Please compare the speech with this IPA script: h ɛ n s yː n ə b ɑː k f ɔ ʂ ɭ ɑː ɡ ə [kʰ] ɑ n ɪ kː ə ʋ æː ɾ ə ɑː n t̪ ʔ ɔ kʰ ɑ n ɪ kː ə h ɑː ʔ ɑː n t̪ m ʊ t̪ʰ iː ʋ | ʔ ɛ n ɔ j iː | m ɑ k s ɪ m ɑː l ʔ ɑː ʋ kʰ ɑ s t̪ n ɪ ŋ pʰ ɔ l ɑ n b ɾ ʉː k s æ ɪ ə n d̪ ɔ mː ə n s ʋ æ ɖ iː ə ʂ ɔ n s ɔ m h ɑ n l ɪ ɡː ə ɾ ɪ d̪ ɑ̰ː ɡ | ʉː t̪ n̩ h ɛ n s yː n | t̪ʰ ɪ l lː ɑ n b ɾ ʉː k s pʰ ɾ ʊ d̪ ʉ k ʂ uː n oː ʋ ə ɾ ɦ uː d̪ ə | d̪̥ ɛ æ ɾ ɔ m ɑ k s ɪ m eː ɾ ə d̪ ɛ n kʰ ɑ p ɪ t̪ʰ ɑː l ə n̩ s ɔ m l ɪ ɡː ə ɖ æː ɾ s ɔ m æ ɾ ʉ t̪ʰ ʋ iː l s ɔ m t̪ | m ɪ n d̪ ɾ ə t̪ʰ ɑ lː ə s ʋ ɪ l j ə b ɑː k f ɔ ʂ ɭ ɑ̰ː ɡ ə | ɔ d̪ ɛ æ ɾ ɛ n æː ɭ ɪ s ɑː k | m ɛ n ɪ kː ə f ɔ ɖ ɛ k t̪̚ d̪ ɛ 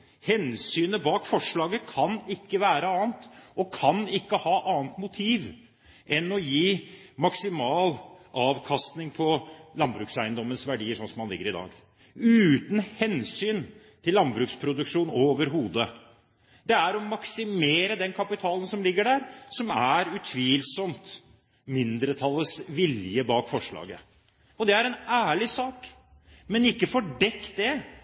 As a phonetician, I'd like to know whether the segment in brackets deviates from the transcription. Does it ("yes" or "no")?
no